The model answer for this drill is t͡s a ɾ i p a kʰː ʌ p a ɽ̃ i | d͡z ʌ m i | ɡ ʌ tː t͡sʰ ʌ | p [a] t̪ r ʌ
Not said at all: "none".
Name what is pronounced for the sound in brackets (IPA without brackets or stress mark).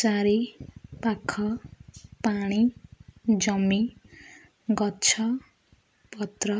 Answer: ʌ